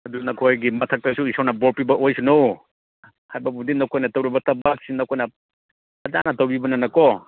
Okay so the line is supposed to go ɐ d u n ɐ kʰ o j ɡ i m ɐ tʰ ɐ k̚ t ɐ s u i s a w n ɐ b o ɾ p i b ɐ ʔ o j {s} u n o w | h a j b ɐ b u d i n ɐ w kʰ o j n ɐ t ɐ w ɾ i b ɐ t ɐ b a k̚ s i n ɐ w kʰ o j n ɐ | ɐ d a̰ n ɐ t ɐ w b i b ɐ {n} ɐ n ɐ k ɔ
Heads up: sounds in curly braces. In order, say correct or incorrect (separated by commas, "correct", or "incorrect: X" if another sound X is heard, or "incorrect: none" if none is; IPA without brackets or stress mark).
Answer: correct, correct